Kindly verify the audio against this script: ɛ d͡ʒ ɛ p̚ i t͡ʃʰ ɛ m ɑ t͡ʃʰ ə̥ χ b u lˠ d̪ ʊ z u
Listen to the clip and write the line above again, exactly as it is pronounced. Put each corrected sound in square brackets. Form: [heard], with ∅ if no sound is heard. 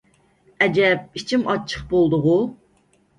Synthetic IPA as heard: ɛ d͡ʒ ɛ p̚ i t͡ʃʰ [i] m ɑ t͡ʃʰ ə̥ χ b [o] lˠ d̪ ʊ [ʁ] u